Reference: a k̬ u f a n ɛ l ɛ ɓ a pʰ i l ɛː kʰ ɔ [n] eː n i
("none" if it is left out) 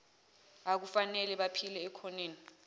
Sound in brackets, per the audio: n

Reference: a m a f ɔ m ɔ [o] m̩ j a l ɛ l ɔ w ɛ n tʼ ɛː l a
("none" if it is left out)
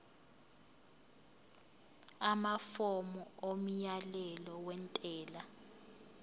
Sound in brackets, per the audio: o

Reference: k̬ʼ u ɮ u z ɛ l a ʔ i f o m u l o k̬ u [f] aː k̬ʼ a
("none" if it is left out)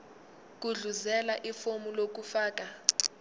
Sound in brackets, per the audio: f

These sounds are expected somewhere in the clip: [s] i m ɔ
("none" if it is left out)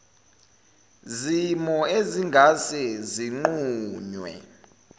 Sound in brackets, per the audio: z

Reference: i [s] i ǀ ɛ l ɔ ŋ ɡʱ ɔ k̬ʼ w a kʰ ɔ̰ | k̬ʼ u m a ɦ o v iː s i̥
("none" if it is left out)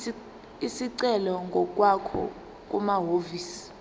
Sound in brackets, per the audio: s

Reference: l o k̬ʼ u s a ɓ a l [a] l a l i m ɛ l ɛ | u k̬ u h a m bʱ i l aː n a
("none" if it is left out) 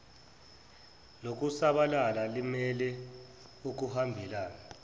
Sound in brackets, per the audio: a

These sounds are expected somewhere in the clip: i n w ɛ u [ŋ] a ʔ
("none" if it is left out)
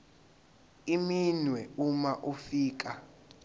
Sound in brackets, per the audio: m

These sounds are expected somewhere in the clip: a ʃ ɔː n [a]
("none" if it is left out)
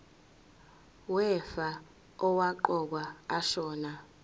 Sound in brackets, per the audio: a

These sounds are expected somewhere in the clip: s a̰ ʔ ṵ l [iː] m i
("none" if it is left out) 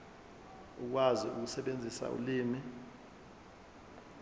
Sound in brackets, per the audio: iː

